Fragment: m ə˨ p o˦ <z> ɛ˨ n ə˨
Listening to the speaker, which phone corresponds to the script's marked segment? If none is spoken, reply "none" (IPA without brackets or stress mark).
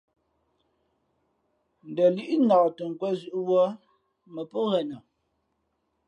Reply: ɣ